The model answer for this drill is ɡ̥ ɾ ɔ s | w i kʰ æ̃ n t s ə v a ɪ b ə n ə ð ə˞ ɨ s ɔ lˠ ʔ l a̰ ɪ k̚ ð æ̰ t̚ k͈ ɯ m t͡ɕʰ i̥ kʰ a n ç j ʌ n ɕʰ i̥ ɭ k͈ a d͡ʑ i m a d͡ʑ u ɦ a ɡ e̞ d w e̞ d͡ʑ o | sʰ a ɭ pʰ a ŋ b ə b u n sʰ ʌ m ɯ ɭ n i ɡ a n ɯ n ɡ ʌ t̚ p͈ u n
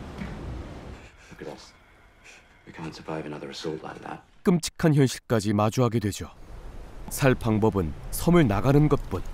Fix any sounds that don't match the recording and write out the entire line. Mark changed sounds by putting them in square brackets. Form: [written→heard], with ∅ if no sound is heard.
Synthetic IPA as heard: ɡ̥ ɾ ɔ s | w i kʰ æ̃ n t s ə v a ɪ [b→v] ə n [ə→ʌ] ð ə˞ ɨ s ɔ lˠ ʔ l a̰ ɪ k̚ ð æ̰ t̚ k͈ ɯ m t͡ɕʰ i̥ kʰ a n ç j ʌ n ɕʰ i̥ ɭ k͈ a d͡ʑ i m a d͡ʑ u ɦ a ɡ e̞ d w e̞ d͡ʑ o | sʰ a ɭ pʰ a ŋ b [ə→ʌ] b [u→ɯ] n sʰ ʌ m ɯ ɭ n [i→a] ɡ a n ɯ n ɡ ʌ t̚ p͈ u n